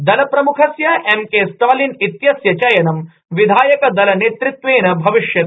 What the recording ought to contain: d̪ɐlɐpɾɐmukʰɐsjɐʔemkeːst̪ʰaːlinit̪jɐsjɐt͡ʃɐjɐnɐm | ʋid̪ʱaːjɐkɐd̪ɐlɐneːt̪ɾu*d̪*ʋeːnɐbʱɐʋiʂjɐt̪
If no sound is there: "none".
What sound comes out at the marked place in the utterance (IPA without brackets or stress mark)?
t̪